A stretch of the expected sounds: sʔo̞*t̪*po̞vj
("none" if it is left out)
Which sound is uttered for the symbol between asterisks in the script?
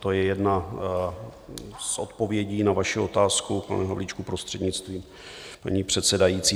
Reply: t̪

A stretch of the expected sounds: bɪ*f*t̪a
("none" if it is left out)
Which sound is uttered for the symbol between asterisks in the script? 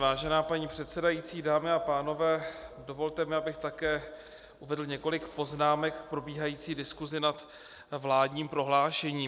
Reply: x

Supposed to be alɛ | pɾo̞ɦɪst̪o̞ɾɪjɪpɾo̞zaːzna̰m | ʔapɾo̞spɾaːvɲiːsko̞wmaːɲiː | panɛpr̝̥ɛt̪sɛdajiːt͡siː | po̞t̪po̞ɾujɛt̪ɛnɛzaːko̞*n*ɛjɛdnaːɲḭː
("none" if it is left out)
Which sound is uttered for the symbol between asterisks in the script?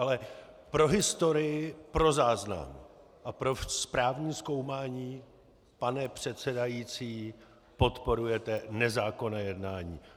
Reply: n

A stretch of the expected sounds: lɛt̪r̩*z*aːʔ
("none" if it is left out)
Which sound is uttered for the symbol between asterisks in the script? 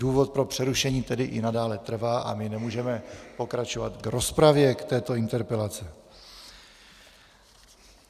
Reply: v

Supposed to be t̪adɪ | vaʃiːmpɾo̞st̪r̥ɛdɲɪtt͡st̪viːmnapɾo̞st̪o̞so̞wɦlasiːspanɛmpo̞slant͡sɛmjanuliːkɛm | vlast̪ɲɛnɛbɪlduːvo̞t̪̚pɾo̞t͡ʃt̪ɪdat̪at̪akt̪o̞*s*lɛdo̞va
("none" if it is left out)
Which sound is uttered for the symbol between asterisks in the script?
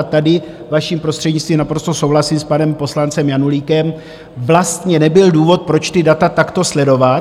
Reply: s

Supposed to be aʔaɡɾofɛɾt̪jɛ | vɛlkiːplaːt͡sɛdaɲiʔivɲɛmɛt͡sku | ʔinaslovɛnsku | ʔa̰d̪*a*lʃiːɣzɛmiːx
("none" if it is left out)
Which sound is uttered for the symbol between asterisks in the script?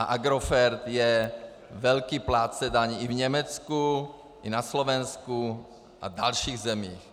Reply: a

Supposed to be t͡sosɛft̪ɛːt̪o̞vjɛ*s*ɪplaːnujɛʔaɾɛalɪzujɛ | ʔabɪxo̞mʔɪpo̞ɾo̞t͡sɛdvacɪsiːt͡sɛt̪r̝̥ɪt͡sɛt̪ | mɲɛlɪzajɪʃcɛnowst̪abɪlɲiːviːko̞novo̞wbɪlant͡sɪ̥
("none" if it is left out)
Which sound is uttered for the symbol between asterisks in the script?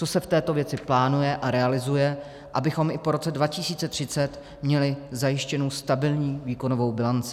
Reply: t͡s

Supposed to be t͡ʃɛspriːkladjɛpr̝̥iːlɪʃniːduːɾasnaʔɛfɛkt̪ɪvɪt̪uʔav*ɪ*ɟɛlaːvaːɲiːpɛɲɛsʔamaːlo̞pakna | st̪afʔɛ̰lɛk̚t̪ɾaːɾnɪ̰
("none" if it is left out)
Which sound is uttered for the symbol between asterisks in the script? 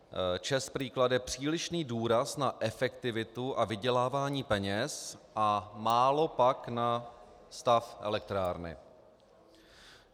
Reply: ɪ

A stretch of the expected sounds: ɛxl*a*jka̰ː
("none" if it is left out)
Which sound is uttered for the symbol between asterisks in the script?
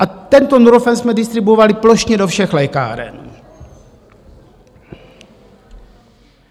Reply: ɛ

